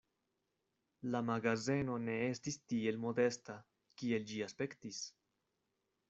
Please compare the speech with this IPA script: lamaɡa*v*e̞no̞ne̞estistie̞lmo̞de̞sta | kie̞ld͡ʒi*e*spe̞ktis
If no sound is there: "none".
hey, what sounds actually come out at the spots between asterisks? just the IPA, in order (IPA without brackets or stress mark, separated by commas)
z, a